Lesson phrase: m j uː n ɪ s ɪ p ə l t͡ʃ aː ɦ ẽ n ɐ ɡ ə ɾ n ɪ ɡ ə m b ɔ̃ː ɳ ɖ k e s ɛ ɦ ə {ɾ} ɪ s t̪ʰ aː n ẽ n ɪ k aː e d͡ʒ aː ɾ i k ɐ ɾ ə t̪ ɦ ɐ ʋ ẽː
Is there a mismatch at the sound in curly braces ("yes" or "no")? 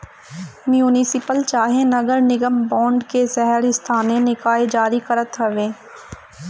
no